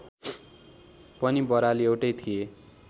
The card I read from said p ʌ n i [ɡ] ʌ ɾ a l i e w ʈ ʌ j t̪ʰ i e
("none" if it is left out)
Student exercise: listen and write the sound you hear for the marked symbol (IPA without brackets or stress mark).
b